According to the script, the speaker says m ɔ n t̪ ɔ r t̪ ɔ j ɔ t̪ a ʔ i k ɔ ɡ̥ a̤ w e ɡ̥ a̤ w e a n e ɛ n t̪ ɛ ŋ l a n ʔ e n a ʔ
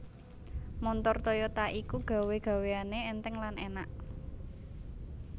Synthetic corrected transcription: m ɔ n t̪ ɔ r t̪ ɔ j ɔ t̪ a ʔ i k u ɡ̥ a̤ w e ɡ̥ a̤ w e a n e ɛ n t̪ ɛ ŋ l a n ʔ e n a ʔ